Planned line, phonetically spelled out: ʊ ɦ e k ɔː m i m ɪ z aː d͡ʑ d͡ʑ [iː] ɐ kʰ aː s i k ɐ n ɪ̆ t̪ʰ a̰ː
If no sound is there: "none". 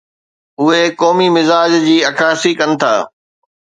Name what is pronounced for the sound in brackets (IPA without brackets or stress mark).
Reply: iː